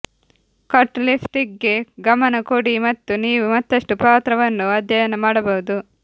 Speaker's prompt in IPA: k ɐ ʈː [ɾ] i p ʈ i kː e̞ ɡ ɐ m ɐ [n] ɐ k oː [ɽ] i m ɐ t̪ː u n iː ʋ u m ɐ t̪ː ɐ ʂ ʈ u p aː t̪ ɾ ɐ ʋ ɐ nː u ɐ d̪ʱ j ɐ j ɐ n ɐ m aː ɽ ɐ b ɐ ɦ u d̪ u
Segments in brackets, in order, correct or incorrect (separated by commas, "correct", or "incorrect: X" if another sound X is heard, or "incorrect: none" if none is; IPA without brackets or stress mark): incorrect: l, correct, correct